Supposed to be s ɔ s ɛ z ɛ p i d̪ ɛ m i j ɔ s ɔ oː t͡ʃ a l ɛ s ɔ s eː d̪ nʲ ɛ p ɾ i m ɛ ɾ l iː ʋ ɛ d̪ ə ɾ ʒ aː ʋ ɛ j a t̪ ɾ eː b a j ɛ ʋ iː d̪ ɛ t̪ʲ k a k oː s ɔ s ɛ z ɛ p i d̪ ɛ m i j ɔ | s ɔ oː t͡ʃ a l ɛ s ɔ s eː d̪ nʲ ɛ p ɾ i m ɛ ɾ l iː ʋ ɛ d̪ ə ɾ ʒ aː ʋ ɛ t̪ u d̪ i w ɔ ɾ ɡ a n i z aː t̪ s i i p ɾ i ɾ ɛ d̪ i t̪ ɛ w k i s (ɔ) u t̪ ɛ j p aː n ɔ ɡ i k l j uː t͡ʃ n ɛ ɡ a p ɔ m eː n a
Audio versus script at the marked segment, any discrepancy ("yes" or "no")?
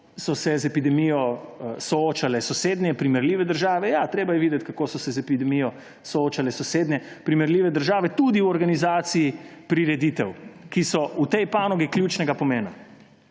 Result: no